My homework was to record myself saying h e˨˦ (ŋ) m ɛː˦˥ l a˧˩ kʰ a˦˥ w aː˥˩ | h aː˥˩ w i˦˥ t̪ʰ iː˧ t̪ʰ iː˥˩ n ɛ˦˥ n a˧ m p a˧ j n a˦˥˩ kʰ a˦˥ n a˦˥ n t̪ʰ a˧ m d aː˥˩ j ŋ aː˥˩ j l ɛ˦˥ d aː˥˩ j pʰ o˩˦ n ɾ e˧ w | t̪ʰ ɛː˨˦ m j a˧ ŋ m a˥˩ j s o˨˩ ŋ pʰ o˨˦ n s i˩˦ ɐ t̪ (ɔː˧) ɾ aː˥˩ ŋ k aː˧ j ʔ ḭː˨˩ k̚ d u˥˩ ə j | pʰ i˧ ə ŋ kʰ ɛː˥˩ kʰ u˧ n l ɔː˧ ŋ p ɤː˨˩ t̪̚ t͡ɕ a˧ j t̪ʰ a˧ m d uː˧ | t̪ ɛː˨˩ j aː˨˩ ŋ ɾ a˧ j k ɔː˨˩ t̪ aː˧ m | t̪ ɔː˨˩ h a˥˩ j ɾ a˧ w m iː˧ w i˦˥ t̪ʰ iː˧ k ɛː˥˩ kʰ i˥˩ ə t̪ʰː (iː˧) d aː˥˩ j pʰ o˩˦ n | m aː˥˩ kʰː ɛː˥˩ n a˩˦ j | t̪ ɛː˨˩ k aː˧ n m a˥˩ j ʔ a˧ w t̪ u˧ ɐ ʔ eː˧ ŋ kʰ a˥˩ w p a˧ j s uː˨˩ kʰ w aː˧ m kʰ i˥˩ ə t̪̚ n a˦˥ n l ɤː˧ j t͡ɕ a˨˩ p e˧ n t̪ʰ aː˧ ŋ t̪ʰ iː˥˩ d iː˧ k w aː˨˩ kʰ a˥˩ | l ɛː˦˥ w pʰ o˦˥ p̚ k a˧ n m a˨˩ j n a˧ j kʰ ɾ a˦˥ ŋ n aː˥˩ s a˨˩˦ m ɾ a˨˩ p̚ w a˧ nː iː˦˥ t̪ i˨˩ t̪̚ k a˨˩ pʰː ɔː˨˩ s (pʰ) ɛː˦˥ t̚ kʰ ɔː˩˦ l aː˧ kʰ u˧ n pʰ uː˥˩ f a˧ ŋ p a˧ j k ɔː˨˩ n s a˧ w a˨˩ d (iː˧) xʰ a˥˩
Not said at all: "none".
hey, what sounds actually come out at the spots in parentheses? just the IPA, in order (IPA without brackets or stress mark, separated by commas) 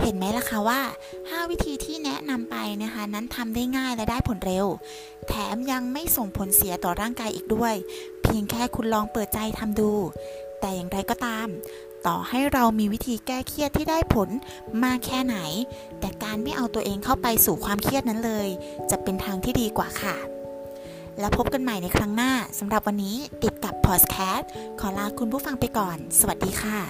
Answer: n, ɔː˨˩, iː˥˩, kʰ, iː˧